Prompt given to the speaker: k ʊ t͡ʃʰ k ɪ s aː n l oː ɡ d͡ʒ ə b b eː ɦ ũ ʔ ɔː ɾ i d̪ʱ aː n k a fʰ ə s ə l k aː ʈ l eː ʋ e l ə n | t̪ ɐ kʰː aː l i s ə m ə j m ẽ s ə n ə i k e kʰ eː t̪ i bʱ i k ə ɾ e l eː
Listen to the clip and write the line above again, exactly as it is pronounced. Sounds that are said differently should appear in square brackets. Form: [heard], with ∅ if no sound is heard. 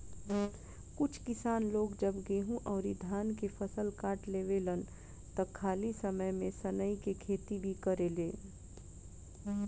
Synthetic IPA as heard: k ʊ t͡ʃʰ k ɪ s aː n l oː ɡ d͡ʒ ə b [ɡ] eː ɦ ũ ʔ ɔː ɾ i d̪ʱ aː n k [e] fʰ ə s ə l k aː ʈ l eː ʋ e l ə n | t̪ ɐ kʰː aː l i s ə m ə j m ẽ s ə n ə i k e kʰ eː t̪ i bʱ i k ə ɾ e l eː

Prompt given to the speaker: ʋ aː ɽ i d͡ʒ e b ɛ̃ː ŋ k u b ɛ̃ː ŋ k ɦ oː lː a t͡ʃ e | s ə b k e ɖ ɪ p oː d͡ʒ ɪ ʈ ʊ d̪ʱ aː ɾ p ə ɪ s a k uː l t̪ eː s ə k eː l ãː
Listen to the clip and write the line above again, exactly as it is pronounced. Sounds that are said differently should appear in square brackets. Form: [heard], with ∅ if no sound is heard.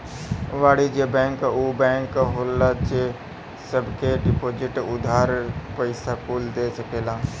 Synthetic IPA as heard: ʋ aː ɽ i d͡ʒ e b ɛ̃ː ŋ k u b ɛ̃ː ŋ k ɦ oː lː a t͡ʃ e | s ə b k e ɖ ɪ p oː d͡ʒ ɪ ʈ ʊ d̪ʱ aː ɾ p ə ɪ s a k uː l [d̪] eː s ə k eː l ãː

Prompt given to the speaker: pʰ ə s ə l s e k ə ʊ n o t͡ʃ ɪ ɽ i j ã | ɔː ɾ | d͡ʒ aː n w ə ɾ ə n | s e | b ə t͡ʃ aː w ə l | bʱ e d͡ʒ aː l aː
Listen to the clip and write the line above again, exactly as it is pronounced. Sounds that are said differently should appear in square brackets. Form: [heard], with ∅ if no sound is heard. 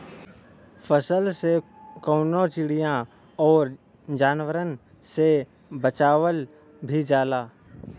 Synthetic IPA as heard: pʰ ə s ə l s e k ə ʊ n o t͡ʃ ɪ ɽ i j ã | ɔː ɾ | d͡ʒ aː n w ə ɾ ə n | s e | b ə t͡ʃ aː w ə l | bʱ [i] d͡ʒ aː l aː

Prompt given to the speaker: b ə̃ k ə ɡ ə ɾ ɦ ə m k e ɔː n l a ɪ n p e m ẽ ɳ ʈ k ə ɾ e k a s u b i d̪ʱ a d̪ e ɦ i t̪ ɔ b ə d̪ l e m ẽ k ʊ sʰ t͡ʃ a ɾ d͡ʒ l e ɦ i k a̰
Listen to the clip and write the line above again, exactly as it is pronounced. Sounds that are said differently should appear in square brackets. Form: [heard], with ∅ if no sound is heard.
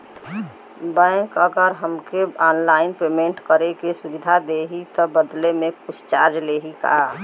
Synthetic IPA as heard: b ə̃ k ə ɡ ə ɾ ɦ ə m k e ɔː n l a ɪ n p e m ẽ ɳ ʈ k ə ɾ e k [e] s u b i d̪ʱ a d̪ e ɦ i t̪ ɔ b ə d̪ l e m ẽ k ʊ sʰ t͡ʃ a ɾ d͡ʒ l e ɦ i k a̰

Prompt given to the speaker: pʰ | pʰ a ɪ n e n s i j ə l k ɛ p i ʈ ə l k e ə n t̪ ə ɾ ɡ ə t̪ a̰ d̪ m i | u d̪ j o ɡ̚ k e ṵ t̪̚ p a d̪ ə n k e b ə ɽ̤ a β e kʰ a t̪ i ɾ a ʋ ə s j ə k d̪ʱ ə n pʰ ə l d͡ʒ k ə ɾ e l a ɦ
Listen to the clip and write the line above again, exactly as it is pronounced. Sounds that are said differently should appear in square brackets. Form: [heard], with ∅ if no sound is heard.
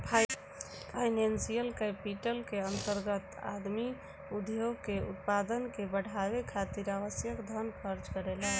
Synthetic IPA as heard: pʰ | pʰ a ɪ n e n s i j ə l k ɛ p i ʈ ə l k e ə n t̪ ə ɾ ɡ ə t̪ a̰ d̪ m i | u d̪ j o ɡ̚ k e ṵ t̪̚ p a d̪ ə n k e b ə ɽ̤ a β e kʰ a t̪ i ɾ a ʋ ə s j ə k d̪ʱ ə n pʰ ə [ɾ] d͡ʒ k ə ɾ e l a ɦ

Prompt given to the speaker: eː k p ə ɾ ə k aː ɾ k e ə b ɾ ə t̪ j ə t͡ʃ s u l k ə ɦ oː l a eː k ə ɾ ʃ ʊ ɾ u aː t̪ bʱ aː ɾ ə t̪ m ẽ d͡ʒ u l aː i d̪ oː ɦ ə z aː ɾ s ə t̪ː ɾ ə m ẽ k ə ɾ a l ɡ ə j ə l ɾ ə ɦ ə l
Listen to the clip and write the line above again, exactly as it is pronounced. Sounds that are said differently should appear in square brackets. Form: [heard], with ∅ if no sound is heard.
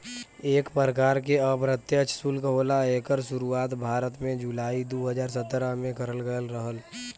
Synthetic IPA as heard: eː k p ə ɾ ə k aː ɾ k e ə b ɾ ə t̪ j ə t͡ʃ s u l k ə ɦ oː l a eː k ə ɾ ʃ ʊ ɾ u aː t̪ bʱ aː ɾ ə t̪ m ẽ d͡ʒ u l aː i d̪ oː ɦ ə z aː ɾ s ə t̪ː ɾ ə m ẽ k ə ɾ [ə] l ɡ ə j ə l ɾ ə ɦ ə l

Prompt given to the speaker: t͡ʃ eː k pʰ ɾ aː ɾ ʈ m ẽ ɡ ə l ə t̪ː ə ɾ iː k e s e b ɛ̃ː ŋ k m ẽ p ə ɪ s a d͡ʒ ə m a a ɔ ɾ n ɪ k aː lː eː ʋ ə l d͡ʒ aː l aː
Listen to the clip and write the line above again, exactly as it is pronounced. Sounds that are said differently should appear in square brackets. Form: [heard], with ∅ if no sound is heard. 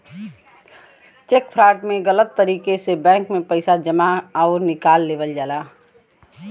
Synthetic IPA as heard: t͡ʃ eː k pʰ ɾ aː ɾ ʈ m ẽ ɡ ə l ə t̪ː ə ɾ iː k e s e b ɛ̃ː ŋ k m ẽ p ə ɪ s a d͡ʒ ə m a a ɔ ɾ n ɪ k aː lː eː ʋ ə l d͡ʒ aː l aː

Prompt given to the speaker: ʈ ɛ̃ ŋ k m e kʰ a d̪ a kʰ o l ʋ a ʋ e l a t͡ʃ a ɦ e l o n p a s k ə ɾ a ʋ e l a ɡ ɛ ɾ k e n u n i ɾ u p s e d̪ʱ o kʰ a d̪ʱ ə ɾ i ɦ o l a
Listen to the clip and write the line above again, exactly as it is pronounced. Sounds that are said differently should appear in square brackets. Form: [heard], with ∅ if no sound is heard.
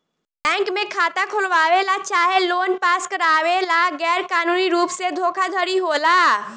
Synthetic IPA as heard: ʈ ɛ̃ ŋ k m e kʰ a [t̪] a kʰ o l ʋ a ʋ e l a t͡ʃ a ɦ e l o n p a s k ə ɾ a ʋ e l a ɡ ɛ ɾ k [a] n u n i ɾ u p s e d̪ʱ o kʰ a d̪ʱ ə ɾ i ɦ o l a

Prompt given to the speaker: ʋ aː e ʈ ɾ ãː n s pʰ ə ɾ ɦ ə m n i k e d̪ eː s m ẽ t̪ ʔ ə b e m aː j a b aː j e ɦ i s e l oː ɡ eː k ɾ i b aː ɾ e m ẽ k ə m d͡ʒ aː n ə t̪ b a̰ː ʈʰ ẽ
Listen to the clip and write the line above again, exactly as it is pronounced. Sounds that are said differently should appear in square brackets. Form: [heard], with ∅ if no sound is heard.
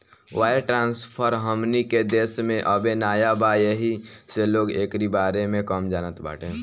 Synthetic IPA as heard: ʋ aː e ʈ ɾ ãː n s pʰ ə ɾ ɦ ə m n i k e d̪ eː s m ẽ [∅] ʔ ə b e [n] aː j a b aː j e ɦ i s e l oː ɡ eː k ɾ i b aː ɾ e m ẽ k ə m d͡ʒ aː n ə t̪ b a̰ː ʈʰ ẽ

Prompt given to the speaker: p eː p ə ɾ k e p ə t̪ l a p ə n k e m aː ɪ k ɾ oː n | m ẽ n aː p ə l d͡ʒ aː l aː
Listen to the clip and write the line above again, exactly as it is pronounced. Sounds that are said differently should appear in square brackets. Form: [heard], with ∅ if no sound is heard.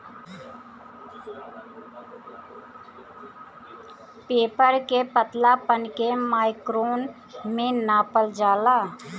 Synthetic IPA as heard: p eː p ə ɾ k e p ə t̪ l a p ə n k e m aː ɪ k ɾ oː n | m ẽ n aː p ə l d͡ʒ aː l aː

